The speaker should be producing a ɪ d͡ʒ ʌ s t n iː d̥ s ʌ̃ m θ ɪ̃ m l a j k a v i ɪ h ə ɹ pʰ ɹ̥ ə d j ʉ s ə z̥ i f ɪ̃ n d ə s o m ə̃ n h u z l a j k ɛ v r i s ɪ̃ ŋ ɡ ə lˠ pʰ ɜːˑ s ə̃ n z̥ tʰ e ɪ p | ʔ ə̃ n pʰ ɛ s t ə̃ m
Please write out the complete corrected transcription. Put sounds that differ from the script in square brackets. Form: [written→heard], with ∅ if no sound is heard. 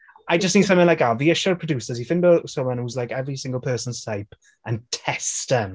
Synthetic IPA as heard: a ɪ d͡ʒ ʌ s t n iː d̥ s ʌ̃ m θ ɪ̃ [m→ŋ] l a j k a v i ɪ [h→ʃ] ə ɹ pʰ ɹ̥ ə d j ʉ s ə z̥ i f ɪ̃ n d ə s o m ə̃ n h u z l a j k ɛ v [r→ɹ] i s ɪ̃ ŋ ɡ ə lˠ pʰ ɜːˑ s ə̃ n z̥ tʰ [e→a] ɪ p | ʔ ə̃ n [pʰ→tʰ] ɛ s t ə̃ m